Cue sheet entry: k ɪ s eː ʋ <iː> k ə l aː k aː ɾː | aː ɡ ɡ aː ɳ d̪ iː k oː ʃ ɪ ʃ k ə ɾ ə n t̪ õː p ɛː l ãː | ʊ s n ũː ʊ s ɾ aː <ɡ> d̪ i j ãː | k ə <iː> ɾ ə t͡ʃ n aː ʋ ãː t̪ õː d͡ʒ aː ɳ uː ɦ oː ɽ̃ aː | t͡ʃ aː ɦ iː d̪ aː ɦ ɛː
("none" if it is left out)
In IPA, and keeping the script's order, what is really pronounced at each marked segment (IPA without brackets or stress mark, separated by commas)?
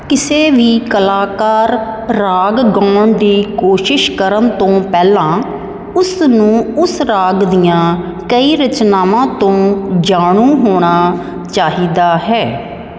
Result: iː, ɡ, iː